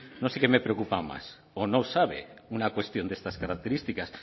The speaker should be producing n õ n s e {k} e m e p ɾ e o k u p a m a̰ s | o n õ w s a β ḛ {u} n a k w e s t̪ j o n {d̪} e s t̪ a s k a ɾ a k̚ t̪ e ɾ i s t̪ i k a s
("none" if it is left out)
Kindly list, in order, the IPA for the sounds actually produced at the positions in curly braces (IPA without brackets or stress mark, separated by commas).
k, u, d̪